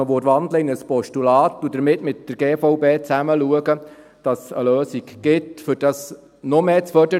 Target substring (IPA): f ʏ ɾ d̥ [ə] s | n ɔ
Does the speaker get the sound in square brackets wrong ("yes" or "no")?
yes